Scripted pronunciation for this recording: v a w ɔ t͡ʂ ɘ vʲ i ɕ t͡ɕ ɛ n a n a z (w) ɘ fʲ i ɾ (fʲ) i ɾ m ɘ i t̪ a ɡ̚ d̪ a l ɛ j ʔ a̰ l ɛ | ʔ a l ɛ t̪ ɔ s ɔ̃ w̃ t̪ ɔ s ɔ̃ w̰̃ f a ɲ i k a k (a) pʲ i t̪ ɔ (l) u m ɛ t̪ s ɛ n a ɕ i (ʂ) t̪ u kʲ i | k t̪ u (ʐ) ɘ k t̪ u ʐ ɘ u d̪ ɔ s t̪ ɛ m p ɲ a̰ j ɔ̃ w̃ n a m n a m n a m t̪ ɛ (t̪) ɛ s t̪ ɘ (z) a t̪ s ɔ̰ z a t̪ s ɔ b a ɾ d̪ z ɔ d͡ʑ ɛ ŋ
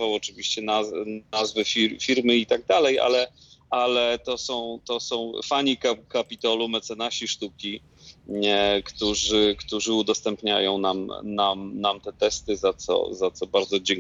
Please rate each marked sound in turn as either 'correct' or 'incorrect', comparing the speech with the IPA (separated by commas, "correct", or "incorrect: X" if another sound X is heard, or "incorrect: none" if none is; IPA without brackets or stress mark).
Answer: incorrect: v, correct, correct, correct, correct, correct, correct, correct